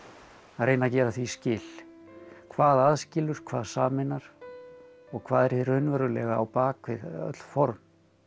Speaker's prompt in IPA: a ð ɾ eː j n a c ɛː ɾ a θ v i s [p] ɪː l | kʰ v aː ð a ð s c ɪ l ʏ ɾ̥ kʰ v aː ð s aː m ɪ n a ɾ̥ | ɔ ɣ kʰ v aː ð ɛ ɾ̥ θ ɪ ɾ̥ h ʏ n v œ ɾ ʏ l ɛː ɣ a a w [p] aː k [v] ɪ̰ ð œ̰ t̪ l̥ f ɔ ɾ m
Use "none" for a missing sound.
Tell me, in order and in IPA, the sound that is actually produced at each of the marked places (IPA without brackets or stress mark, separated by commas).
c, p, v